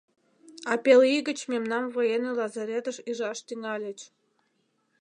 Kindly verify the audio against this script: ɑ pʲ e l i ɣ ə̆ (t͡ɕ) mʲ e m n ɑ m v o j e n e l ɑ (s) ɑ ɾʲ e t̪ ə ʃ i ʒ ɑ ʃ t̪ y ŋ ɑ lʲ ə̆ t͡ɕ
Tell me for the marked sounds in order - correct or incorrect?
correct, incorrect: z

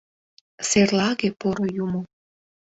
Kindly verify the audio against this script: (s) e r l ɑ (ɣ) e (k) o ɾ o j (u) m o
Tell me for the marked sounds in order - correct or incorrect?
correct, correct, incorrect: p, correct

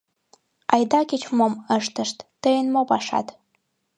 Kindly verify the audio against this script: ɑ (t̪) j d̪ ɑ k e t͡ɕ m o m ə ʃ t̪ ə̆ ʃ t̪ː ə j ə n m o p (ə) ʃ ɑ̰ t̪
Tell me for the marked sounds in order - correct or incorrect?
incorrect: none, incorrect: ɑ

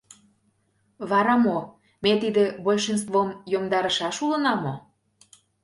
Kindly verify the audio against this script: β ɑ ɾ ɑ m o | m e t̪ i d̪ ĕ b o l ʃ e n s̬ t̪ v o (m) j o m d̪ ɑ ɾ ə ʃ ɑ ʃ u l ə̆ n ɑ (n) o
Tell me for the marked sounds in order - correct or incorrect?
correct, incorrect: m

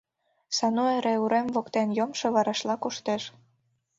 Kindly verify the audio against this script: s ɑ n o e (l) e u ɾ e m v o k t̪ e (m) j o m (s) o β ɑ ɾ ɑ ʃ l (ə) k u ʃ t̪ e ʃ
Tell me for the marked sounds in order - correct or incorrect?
incorrect: ɾ, incorrect: n, incorrect: ʃ, incorrect: ɑ

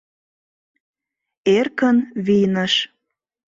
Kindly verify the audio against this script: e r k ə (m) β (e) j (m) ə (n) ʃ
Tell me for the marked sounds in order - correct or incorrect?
incorrect: n, incorrect: i, incorrect: n, incorrect: none

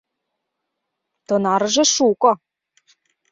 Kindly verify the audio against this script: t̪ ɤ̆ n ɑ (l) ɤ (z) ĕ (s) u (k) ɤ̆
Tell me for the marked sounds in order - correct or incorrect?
incorrect: ɾ, incorrect: ʒ, incorrect: ʃ, correct

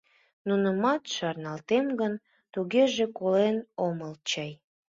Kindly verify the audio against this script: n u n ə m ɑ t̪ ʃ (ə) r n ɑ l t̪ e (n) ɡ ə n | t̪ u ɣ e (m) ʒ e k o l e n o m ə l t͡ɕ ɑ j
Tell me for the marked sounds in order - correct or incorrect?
incorrect: ɑ, incorrect: m, incorrect: none

